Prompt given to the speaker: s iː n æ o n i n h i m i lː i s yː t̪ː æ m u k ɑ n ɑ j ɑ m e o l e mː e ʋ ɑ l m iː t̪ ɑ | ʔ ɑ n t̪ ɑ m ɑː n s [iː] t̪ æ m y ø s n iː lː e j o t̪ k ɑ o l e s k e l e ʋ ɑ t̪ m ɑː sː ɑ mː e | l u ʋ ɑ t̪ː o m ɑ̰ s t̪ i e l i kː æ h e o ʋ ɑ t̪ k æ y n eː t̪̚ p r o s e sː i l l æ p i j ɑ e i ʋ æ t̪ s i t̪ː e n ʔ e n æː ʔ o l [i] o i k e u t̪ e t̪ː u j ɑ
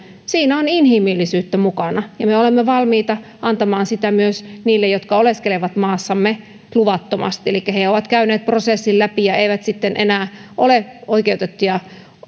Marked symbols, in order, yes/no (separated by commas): no, no